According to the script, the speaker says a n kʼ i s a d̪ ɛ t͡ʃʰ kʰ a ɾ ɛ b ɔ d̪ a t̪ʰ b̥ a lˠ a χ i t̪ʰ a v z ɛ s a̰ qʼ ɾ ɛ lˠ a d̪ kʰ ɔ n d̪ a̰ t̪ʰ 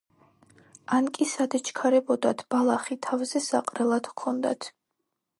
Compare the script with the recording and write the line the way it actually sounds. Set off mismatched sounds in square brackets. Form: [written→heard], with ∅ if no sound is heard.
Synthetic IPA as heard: a n kʼ i s a d̪ ɛ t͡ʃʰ kʰ a ɾ ɛ b ɔ d̪ a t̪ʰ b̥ a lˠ a χ i t̪ʰ a v z ɛ s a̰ qʼ ɾ ɛ lˠ a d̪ kʰ ɔ n d̪ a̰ t̪ʰ